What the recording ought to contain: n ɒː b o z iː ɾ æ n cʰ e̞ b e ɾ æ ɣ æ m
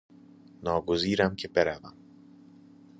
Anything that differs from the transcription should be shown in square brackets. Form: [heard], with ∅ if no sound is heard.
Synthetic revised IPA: n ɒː [ɡ] o z iː ɾ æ [m] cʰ e̞ b e ɾ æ [v] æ m